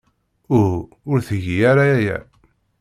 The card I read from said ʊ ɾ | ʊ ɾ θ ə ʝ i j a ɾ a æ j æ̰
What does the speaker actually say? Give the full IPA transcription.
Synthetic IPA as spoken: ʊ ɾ | ʊ ɾ θ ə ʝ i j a ɾ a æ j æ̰